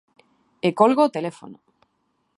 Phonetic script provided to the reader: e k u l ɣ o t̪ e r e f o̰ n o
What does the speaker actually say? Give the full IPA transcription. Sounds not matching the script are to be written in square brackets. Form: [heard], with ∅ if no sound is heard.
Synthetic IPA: e k [o] l ɣ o t̪ e [l] e f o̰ n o